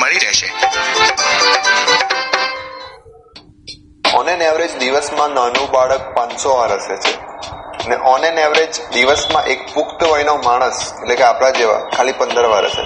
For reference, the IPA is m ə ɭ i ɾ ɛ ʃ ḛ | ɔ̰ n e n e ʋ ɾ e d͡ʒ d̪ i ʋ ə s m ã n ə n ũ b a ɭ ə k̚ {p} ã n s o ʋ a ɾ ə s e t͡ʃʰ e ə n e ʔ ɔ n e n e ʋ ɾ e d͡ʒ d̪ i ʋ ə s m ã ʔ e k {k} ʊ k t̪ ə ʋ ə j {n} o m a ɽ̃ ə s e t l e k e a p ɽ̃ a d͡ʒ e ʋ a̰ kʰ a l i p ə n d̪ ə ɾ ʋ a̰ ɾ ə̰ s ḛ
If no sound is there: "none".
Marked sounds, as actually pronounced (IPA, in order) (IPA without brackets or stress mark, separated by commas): p, p, n